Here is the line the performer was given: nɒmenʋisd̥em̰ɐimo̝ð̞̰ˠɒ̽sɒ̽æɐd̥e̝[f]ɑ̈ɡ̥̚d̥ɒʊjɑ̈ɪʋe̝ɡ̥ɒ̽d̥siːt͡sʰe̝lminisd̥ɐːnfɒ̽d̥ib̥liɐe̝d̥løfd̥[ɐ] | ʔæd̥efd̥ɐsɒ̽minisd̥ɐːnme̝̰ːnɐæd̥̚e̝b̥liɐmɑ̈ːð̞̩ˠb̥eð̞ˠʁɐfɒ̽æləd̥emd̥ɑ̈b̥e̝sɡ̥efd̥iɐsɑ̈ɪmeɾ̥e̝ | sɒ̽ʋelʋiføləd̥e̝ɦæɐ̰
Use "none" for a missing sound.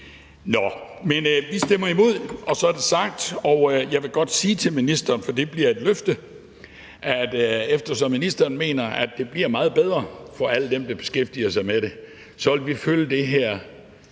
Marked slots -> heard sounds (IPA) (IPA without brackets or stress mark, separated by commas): s, ə